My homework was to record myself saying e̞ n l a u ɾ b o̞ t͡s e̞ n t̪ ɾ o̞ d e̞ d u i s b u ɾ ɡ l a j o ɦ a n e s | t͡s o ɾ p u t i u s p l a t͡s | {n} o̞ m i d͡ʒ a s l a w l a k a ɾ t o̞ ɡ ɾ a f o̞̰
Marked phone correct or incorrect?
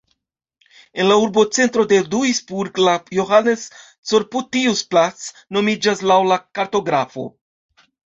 correct